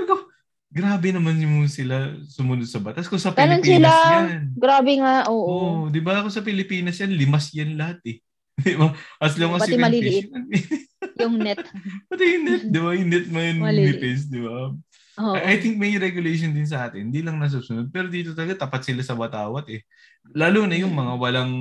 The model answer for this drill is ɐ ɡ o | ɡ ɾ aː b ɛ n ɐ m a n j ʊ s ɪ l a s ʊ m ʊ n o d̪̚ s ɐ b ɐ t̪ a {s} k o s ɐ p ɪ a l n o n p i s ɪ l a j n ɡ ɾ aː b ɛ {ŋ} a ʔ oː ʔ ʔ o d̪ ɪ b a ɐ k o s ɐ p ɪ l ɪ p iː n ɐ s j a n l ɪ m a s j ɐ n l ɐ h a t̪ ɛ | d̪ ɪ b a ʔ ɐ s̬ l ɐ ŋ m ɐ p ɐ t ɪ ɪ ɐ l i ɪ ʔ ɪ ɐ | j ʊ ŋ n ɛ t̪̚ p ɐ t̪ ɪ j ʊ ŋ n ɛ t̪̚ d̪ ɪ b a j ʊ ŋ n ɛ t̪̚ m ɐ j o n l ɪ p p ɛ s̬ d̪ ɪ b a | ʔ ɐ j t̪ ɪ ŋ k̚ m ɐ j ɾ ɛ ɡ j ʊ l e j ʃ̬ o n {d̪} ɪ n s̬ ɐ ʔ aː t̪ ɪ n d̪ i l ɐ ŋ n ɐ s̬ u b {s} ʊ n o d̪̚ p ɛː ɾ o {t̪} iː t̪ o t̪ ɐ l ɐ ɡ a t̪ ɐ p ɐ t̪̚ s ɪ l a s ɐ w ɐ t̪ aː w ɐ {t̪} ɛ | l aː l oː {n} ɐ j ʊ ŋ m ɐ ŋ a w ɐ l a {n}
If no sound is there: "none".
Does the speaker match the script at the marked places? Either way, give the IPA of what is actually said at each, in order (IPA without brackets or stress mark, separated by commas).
s, ŋ, d̪, s, d̪, t̪, n, ŋ